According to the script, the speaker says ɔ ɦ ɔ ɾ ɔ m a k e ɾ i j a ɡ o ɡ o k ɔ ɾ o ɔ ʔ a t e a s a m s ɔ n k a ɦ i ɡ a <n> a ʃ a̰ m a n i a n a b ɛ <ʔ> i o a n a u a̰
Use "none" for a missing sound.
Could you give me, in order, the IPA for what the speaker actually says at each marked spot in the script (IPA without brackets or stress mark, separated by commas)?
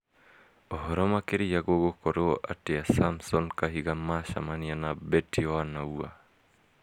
m, t